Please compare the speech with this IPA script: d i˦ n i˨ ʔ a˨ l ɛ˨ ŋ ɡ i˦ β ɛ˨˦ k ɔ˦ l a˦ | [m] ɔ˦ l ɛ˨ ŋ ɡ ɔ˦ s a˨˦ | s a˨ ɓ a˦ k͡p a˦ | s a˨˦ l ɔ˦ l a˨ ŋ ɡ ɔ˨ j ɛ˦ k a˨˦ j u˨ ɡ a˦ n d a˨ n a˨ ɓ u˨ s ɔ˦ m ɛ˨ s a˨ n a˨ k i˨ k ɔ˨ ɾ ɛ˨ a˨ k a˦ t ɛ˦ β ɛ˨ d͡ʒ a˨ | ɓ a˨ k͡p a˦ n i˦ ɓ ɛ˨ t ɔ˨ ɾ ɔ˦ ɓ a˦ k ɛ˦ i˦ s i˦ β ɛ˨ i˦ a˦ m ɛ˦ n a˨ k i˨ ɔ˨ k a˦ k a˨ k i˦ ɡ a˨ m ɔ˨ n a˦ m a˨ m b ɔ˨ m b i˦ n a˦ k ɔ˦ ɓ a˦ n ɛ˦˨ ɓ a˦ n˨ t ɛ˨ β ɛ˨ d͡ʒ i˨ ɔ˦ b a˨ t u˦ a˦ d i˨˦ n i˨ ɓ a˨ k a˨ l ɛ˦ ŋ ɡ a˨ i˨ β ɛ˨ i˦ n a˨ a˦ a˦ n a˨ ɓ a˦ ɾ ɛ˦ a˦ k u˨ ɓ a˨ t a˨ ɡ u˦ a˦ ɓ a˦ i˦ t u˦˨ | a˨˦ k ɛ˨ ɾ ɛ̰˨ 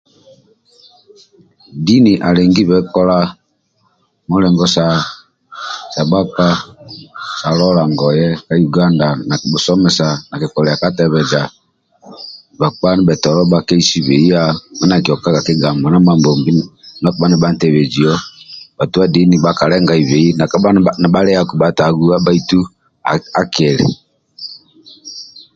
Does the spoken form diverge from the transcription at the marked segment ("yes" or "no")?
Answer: no